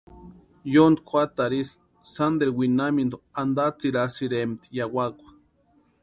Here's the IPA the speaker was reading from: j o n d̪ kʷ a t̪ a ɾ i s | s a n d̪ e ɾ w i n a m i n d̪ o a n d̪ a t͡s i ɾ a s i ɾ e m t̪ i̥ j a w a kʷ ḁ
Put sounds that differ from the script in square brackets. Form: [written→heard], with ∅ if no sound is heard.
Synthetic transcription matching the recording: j o n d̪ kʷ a t̪ a ɾ i s | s a n d̪ e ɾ w i n a m i n d̪ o a n d̪ a t͡s i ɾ a s i ɾ e m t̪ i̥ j a w a kʷ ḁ